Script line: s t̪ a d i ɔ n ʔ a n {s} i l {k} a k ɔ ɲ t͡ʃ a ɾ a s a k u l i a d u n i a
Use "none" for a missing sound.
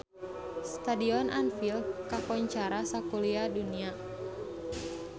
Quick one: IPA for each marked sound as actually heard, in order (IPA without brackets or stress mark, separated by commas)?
f, k